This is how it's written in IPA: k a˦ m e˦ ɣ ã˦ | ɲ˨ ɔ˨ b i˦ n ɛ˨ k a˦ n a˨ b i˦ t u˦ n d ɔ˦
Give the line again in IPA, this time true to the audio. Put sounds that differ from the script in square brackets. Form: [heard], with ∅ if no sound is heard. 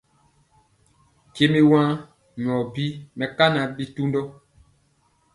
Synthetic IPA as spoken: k [e˦] m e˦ [w] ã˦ | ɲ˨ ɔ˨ b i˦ [m] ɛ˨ k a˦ n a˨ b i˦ t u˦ n d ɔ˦